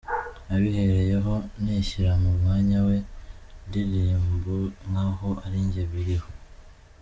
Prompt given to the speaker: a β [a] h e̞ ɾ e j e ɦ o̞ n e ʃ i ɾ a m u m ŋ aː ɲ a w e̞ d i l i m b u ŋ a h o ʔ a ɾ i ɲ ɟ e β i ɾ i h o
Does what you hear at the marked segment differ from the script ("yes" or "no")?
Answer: yes